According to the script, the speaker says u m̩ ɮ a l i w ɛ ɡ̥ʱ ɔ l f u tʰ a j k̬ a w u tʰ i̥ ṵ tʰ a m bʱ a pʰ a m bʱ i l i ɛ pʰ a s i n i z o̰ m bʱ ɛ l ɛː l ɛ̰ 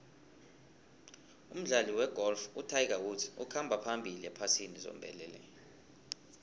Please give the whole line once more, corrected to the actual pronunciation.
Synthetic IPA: u m̩ ɮ a l i w ɛ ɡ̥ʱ ɔ l f u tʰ a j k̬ a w u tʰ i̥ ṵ kʰ a m bʱ a pʰ a m bʱ i l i ɛ pʰ a s i n i z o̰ m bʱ ɛ l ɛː l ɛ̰